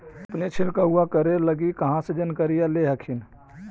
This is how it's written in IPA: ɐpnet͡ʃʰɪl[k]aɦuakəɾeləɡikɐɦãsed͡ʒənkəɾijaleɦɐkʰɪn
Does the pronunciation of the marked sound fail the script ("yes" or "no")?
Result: no